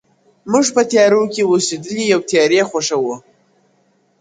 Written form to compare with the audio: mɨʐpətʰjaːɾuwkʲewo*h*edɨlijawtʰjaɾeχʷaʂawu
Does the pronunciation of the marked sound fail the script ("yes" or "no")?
yes